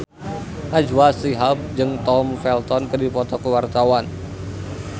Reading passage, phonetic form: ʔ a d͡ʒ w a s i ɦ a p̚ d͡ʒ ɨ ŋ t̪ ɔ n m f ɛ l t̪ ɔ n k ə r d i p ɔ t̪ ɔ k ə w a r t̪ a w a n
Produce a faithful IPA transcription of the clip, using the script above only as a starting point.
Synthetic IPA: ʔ a d͡ʒ w a s i ɦ a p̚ d͡ʒ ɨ ŋ t̪ ɔ m f ɛ l t̪ ɔ n k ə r d i p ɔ t̪ ɔ k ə w a r t̪ a w a n